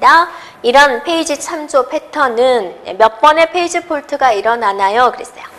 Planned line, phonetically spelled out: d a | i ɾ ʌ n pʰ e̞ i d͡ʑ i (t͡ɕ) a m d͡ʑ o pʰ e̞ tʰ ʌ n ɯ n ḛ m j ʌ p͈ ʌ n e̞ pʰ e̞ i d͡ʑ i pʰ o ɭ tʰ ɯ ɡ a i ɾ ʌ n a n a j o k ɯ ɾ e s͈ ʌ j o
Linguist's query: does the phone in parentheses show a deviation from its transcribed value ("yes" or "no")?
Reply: yes